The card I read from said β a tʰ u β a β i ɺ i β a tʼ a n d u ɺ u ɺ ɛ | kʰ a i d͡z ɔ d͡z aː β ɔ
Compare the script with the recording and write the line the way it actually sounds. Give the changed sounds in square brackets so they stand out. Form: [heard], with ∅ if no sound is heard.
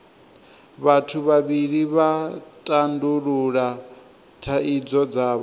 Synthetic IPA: β a tʰ u β a β i ɺ i β a tʼ a n d u ɺ u ɺ [a] | [tʰ] a i d͡z ɔ d͡z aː β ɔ